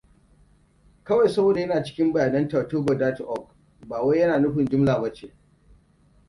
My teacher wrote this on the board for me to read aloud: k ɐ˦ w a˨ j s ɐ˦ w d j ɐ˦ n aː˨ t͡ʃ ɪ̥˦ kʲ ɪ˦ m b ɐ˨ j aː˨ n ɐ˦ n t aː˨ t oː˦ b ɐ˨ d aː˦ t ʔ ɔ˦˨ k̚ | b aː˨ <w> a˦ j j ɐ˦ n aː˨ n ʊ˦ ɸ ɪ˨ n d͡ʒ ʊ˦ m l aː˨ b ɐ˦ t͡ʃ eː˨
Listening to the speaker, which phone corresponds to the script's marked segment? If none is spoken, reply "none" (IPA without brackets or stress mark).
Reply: w